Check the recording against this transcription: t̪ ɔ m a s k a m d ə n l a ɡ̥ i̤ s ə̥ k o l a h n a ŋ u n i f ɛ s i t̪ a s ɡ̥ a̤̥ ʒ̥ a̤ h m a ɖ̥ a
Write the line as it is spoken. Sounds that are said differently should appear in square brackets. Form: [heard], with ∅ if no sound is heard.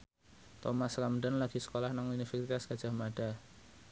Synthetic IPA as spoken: t̪ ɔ m a s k a m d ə n l a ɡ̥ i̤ s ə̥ k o l a h n a ŋ u n i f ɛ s i t̪ a s ɡ̥ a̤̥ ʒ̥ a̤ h m a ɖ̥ a